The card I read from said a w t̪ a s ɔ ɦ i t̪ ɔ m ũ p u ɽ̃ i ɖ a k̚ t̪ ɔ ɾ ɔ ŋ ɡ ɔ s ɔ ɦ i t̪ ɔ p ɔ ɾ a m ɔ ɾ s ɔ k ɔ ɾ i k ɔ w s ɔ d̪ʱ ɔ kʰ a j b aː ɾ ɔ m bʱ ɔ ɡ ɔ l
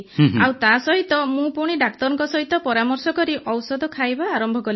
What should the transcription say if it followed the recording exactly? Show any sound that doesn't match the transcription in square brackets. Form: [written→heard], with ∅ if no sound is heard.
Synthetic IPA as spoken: a w t̪ a s ɔ ɦ i t̪ ɔ m ũ p u ɽ̃ i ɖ a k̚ t̪ ɔ ɾ ɔ ŋ [ɡ→k] ɔ s ɔ ɦ i t̪ ɔ p ɔ ɾ a m ɔ ɾ s ɔ k ɔ ɾ i [k→ʔ] ɔ w s ɔ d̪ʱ ɔ kʰ a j b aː ɾ ɔ m bʱ ɔ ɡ ɔ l